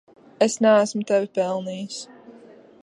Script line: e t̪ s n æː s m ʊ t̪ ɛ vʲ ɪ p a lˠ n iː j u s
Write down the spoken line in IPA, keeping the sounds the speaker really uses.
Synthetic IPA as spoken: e s n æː s m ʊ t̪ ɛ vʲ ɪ p ɛ lˠ n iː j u s